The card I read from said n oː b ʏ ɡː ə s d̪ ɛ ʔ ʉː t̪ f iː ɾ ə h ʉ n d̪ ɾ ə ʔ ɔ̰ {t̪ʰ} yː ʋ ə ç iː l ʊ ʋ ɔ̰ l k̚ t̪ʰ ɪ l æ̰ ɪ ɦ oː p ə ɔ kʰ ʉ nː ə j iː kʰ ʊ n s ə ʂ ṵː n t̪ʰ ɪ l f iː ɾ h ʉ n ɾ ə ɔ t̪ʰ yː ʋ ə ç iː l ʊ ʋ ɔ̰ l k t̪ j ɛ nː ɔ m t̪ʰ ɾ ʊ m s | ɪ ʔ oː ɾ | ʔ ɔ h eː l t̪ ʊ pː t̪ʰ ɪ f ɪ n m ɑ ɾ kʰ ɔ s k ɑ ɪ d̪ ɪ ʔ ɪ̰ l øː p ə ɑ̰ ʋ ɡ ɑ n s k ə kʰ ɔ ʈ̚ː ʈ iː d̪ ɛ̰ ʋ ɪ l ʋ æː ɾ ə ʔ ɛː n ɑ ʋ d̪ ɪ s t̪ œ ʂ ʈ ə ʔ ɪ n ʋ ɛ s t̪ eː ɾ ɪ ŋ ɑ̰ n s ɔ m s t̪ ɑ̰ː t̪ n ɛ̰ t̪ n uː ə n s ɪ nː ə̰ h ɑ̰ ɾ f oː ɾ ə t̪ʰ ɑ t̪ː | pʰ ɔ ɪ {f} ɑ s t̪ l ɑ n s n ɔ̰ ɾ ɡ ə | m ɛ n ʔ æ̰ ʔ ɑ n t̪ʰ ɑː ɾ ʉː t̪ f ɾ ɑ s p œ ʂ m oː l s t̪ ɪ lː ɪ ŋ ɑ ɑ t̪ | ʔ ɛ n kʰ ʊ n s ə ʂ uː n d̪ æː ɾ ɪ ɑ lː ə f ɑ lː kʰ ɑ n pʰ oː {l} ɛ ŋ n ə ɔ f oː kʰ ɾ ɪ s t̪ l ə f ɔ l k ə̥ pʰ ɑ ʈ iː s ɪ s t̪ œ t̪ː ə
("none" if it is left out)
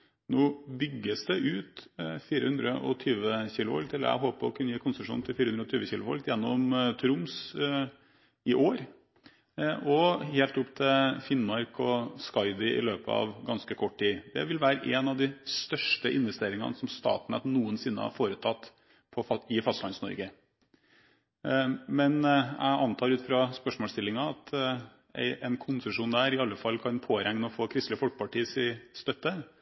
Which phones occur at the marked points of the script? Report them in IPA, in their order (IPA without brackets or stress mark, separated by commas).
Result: t̪ʰ, f, ɾ